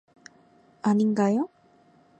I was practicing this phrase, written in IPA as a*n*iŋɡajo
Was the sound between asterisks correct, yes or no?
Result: yes